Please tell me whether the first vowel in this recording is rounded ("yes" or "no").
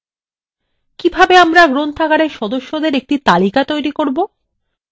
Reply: no